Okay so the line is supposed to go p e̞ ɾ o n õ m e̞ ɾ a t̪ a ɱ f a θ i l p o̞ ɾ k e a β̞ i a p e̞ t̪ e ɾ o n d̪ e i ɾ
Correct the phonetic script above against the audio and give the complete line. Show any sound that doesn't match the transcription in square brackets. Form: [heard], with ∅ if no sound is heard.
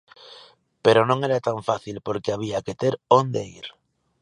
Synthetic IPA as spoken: p e̞ ɾ o n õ [ŋ] e̞ ɾ a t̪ a ɱ f a θ i l p o̞ ɾ k e a β̞ i a [k] e̞ t̪ e ɾ o n d̪ e i ɾ

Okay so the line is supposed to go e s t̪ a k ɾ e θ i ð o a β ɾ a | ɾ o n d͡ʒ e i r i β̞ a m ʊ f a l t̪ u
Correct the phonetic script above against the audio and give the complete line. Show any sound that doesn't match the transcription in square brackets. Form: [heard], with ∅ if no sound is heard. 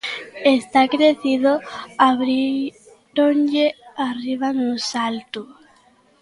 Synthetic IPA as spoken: e s t̪ a k ɾ e θ i ð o a β ɾ [i] | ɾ o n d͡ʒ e [a] r i β̞ a [n] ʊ [s] a l t̪ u

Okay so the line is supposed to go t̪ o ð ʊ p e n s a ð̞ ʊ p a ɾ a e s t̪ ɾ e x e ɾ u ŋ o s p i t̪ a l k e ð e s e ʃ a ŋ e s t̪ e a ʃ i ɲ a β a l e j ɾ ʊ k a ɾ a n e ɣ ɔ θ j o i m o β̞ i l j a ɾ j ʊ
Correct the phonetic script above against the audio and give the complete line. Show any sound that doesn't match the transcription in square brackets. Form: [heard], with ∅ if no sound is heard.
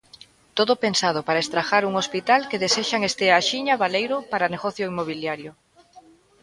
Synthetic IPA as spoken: t̪ o ð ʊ p e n s a ð̞ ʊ p a ɾ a e s t̪ ɾ [a] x [a] ɾ u ŋ o s p i t̪ a l k e ð e s e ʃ a ŋ e s t̪ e a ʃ i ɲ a β a l e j ɾ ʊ [p] a ɾ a n e ɣ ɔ θ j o i m o β̞ i l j a ɾ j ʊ

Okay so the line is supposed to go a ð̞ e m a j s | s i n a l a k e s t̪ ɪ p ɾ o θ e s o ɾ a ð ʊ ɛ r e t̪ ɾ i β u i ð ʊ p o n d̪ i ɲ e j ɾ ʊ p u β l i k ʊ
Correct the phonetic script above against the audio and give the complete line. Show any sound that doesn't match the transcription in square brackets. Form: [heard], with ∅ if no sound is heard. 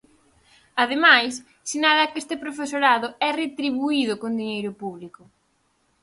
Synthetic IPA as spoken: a ð̞ e m a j s | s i n a l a k e s t̪ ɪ p ɾ o [f] e s o ɾ a ð ʊ ɛ r e t̪ ɾ i β u i ð ʊ [k] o n d̪ i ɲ e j ɾ ʊ p u β l i k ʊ

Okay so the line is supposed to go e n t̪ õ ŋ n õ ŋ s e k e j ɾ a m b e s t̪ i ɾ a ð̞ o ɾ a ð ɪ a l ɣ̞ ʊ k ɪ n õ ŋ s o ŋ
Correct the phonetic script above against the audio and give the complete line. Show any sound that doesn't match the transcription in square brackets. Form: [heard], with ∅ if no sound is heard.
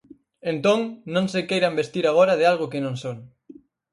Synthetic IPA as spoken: e n t̪ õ ŋ n õ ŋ s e k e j ɾ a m b e s t̪ i ɾ a [ɣ̞] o ɾ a ð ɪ a l ɣ̞ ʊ k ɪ n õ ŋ s o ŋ

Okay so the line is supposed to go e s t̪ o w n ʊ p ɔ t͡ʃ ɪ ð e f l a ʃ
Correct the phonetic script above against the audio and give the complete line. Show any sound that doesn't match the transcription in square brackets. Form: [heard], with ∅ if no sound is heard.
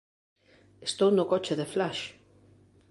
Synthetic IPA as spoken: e s t̪ o w n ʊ [k] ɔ t͡ʃ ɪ ð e f l a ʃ

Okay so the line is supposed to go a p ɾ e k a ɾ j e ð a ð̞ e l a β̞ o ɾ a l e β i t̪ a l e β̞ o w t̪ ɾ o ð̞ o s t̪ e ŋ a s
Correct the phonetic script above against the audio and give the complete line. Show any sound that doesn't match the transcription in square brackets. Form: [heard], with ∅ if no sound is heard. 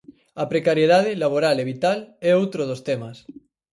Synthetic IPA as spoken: a p ɾ e k a ɾ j e ð a ð̞ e l a β̞ o ɾ a l e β i t̪ a l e [∅] o w t̪ ɾ o ð̞ o s t̪ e [m] a s

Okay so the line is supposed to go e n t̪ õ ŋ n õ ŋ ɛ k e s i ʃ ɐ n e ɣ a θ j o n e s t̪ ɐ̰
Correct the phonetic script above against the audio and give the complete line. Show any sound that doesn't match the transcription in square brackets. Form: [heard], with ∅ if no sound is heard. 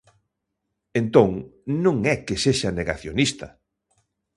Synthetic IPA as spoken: e n t̪ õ ŋ n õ ŋ ɛ k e s [e] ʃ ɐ n e ɣ a θ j o n [i] s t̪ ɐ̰

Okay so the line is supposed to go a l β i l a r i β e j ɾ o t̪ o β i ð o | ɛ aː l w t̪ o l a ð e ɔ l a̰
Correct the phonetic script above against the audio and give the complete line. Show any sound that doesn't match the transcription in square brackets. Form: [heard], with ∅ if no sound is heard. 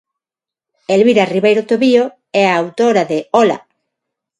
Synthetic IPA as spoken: [e] l β i [ɾ] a r i β e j ɾ o t̪ o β i [∅] o | ɛ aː [∅] w t̪ o [ɾ] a ð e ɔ l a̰

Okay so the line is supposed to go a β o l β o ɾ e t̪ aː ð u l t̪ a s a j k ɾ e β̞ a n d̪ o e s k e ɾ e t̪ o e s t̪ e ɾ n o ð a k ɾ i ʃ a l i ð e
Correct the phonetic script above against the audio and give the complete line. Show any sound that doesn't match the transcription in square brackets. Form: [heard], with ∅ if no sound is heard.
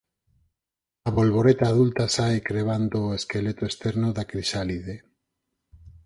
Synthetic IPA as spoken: a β o l β o ɾ e t̪ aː ð u l t̪ a s a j k ɾ e β̞ a n d̪ o e s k e [l] e t̪ o e s t̪ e ɾ n o ð a k ɾ i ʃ a l i ð e

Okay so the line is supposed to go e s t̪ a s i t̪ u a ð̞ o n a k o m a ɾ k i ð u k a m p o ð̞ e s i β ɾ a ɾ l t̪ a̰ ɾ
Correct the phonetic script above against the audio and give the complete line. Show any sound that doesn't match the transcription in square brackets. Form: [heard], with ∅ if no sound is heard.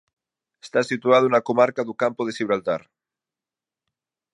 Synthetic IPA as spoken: e s t̪ a s i t̪ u a ð̞ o n a k o m a ɾ k [a] ð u k a m p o ð̞ e s i β ɾ a [∅] l t̪ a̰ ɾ

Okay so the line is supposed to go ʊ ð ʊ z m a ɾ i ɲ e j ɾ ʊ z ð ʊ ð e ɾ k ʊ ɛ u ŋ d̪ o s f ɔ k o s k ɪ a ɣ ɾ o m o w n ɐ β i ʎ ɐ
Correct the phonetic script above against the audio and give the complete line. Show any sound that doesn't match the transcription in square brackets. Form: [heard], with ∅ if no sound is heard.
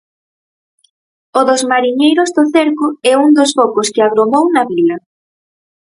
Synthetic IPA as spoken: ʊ ð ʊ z m a ɾ i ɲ e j ɾ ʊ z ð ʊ [θ] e ɾ k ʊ ɛ u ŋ d̪ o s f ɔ k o s k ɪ a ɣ ɾ o m o w n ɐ β i [l] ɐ

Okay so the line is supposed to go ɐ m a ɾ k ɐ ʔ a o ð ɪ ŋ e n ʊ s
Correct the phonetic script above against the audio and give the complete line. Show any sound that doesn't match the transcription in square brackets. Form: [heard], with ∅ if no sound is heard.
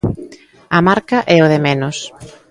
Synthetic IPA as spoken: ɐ m a ɾ k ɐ ʔ [ɛ] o ð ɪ [m] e n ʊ s

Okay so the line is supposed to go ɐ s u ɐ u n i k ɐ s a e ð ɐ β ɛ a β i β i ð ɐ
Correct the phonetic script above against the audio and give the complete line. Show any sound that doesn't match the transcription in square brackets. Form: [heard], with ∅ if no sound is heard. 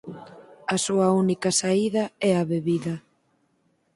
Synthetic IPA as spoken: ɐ s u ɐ u n i k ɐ s a [i] ð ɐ [∅] ɛ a β [e] β i ð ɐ

